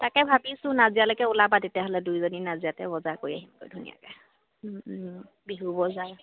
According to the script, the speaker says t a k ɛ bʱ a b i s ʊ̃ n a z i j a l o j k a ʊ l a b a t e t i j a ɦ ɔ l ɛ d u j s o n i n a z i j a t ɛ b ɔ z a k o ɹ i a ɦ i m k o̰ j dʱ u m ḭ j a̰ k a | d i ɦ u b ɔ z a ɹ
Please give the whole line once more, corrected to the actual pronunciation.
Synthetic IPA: t a k ɛ bʱ a b i s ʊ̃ n a z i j a l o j k ɛ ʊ l a b a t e t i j a ɦ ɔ l ɛ d u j z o n i n a z i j a t ɛ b ɔ z a k o ɹ i a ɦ i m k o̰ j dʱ u n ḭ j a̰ k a | b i ɦ u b ɔ z a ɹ